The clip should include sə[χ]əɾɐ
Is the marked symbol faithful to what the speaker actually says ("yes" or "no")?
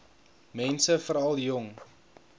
no